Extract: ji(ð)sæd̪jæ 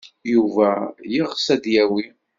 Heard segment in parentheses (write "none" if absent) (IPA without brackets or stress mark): ʁ